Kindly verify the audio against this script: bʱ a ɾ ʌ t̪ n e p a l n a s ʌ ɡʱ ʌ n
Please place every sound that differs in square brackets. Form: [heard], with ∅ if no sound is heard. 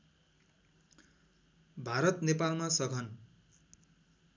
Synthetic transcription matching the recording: bʱ a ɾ ʌ t̪ n e p a l [m] a s ʌ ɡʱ ʌ n